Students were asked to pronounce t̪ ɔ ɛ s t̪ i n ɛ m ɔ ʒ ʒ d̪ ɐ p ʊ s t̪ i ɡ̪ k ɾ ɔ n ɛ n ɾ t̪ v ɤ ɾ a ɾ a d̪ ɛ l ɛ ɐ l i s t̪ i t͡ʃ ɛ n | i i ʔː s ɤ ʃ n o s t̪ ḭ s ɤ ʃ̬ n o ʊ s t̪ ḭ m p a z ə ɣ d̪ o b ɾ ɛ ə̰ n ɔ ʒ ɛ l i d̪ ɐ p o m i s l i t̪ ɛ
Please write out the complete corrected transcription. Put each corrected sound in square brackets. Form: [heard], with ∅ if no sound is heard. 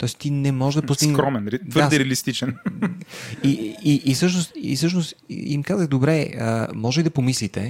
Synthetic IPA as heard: t̪ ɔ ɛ s t̪ i n ɛ m ɔ ʒ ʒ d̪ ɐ p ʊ s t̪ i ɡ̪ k ɾ ɔ [m] ɛ n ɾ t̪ v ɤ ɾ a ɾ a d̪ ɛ [ɾ] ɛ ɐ l i s t̪ i t͡ʃ ɛ n | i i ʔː s ɤ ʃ n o s t̪ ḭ s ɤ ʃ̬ n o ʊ s t̪ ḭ m [k] a z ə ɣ d̪ o b ɾ ɛ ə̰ [m] ɔ ʒ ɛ l i d̪ ɐ p o m i s l i t̪ ɛ